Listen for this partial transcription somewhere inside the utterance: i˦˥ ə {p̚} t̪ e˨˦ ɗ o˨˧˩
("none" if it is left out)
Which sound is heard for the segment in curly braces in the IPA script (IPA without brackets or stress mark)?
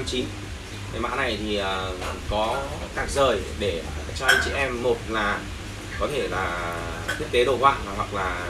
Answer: k̚